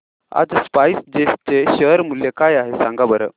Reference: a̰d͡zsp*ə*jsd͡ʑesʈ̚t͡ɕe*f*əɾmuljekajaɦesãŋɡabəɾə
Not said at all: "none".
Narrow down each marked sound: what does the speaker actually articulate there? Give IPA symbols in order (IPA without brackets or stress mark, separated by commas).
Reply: a, ɕ